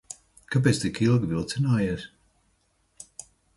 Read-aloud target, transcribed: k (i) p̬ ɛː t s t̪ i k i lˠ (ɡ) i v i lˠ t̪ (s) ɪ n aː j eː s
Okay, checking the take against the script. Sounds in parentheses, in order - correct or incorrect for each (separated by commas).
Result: incorrect, correct, correct